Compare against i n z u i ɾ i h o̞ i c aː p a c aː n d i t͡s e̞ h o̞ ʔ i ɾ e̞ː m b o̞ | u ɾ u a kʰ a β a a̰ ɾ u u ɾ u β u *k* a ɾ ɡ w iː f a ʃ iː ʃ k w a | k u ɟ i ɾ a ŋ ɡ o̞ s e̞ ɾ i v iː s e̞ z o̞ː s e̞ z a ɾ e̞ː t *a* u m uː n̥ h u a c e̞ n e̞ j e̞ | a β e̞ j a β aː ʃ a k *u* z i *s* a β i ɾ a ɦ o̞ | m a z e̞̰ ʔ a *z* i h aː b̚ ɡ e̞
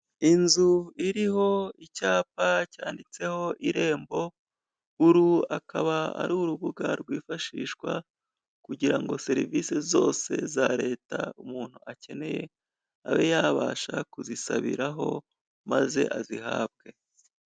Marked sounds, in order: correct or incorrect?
incorrect, correct, correct, correct, correct

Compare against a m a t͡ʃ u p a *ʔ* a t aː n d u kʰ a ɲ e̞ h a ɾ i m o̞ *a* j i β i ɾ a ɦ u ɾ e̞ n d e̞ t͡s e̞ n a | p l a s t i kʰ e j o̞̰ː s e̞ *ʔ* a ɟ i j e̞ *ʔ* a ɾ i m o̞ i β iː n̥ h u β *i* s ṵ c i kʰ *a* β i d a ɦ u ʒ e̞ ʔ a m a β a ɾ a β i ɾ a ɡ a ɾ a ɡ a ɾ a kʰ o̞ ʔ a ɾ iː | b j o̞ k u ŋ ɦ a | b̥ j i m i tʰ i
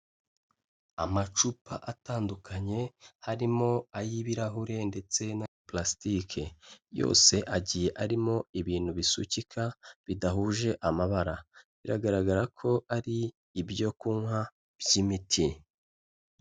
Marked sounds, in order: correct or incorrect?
correct, correct, correct, correct, correct, correct

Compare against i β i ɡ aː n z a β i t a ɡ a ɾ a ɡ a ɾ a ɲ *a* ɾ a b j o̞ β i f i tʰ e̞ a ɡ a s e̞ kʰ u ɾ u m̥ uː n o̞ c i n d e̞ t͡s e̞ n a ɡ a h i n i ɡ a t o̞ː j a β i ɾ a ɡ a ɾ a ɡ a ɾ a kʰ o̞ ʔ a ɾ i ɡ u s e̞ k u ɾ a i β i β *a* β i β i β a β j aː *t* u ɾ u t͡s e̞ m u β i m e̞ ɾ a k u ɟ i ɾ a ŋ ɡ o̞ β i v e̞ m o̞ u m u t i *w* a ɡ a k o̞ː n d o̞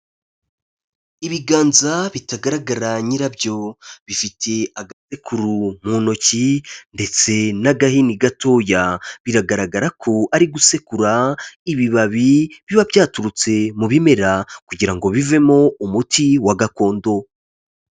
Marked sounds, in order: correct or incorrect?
incorrect, correct, correct, correct

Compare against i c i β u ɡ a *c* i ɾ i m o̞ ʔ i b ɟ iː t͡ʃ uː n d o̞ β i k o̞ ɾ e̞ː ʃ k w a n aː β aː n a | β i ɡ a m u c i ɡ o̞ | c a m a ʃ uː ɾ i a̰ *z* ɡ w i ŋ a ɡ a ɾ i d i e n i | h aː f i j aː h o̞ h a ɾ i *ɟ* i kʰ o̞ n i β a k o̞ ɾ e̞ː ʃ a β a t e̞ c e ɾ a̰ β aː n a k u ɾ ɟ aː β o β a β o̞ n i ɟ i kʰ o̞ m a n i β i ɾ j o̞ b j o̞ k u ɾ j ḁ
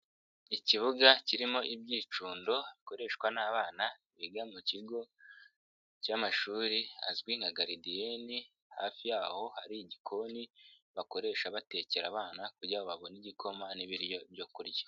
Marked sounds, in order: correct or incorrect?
correct, correct, correct

